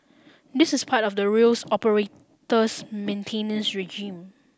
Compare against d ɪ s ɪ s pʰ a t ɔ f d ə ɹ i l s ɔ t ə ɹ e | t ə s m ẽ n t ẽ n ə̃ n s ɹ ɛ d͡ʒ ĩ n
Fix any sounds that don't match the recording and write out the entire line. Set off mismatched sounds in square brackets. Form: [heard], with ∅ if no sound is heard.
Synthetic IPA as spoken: d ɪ s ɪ s pʰ a t ɔ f d ə ɹ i l s ɔ [p] ə ɹ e | t ə s m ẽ n [tʰ] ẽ n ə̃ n s ɹ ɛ d͡ʒ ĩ [m]